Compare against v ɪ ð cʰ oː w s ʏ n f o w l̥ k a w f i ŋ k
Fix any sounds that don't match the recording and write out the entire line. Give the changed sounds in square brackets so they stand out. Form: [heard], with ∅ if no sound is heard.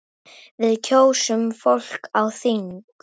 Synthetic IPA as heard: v ɪ ð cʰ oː w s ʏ [m] f o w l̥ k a w [θ] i ŋ k